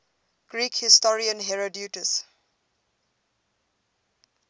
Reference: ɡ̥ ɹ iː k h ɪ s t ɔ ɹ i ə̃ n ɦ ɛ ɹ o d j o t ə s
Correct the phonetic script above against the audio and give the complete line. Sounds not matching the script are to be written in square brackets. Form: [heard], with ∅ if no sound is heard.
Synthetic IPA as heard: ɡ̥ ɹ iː k h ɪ s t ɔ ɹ i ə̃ n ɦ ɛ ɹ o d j [u] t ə s